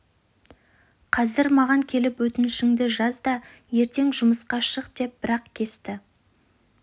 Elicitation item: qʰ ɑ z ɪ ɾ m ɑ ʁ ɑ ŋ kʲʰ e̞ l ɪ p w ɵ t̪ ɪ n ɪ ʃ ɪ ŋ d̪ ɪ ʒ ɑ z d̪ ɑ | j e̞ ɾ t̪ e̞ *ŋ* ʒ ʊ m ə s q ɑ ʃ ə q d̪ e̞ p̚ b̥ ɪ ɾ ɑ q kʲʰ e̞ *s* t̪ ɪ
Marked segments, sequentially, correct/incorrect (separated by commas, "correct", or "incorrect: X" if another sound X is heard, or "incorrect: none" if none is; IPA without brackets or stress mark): correct, correct